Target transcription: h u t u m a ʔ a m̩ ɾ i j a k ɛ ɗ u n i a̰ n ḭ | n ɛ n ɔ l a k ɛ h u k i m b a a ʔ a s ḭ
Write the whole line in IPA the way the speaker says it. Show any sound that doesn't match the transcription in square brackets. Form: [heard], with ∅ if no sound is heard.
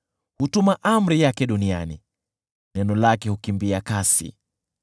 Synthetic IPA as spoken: h u t u m a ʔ a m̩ ɾ i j a k ɛ ɗ u n i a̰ n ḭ | n ɛ n ɔ l a k ɛ h u k i m b [i] a [k] a s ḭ